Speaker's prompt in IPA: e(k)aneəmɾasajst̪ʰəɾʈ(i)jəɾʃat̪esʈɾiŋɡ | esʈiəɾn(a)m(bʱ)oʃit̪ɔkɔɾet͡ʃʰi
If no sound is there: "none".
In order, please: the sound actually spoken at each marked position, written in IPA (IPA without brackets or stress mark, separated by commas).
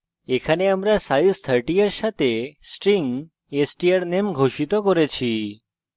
kʰ, i, e, ɡʱ